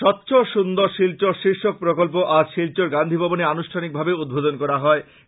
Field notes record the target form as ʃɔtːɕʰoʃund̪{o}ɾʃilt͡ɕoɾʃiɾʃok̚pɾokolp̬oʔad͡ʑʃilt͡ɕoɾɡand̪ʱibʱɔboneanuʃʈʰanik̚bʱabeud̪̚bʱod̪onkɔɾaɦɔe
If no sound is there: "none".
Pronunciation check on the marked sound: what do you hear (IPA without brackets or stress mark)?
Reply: o